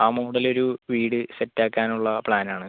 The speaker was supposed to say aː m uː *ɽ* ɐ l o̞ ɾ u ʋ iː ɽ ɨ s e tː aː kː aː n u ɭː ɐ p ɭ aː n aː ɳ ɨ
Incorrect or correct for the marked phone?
correct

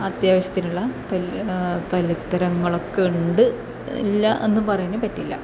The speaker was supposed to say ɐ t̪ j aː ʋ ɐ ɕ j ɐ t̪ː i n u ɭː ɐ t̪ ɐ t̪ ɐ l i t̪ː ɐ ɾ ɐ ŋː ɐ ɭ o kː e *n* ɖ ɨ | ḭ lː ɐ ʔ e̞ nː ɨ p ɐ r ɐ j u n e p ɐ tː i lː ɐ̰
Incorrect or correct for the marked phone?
incorrect: ɳ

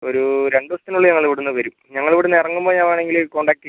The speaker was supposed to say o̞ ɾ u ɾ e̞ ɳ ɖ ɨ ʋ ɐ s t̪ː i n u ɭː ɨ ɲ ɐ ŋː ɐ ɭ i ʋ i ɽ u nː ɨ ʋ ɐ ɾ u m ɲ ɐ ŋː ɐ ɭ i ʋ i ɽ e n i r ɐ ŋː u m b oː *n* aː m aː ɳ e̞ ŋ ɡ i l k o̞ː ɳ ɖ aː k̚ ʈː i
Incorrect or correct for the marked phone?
incorrect: ɲ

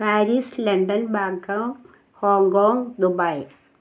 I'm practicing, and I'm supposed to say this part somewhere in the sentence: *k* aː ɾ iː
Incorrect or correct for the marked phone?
incorrect: p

